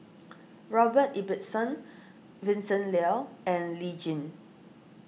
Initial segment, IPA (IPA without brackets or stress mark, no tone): ɹ